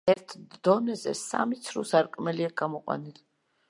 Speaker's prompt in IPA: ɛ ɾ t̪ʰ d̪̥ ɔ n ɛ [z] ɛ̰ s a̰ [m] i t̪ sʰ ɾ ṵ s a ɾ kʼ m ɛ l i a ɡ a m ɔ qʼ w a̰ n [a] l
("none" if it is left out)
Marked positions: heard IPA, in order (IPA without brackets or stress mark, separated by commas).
z, m, i